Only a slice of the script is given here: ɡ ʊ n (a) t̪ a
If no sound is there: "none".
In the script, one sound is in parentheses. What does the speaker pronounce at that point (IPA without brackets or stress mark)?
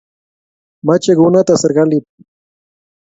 a